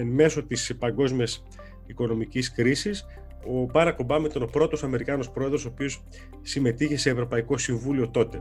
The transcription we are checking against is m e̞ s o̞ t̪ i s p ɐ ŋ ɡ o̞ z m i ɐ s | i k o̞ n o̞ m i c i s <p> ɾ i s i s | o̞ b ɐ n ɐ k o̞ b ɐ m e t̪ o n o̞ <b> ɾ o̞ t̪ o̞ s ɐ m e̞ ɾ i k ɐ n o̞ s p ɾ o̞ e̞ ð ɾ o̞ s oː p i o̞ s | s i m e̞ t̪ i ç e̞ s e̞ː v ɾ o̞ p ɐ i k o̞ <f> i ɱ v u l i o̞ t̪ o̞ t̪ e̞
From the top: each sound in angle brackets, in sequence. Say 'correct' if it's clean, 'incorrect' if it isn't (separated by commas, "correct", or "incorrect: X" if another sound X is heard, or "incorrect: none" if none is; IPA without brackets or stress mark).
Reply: incorrect: k, incorrect: p, incorrect: s